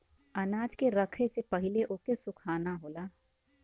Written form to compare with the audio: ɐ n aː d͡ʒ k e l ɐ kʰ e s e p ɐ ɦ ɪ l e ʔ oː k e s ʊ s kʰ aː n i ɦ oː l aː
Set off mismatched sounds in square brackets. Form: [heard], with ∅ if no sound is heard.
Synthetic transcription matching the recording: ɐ n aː d͡ʒ k e [ɾ] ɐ kʰ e s e p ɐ ɦ ɪ l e ʔ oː k e s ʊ [∅] kʰ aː n [a] ɦ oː l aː